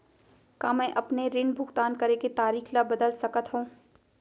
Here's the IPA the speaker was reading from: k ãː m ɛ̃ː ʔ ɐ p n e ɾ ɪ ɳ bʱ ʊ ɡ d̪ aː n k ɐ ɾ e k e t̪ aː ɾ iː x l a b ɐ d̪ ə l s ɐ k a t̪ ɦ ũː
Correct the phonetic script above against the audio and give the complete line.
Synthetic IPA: k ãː m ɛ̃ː ʔ ɐ p n e ɾ ɪ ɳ bʱ ʊ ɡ t̪ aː n k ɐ ɾ e k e t̪ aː ɾ iː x l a b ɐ d̪ ə l s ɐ k ə t̪ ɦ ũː